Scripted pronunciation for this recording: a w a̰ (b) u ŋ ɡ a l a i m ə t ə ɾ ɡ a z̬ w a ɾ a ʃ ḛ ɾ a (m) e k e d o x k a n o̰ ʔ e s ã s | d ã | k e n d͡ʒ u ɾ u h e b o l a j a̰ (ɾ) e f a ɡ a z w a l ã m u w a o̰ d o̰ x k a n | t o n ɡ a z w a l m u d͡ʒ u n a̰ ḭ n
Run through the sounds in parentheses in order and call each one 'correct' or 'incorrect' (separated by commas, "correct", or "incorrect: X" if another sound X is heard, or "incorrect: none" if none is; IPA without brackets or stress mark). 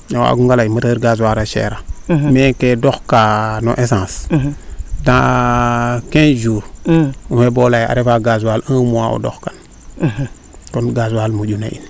incorrect: ɡ, correct, correct